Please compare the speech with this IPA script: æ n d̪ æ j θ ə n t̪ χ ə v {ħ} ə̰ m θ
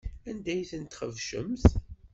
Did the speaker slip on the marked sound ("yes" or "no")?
yes